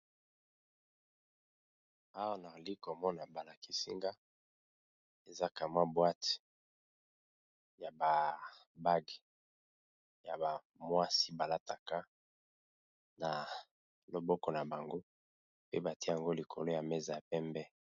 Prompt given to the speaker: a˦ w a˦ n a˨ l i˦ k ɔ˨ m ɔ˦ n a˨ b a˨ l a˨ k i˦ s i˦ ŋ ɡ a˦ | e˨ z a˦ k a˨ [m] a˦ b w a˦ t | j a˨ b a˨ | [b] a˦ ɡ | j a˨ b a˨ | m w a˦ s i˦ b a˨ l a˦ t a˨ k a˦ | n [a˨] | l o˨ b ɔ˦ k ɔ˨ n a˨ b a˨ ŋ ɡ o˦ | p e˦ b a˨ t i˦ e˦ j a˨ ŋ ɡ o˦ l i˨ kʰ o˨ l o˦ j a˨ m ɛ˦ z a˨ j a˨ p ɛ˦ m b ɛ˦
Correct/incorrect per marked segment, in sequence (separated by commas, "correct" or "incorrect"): correct, correct, correct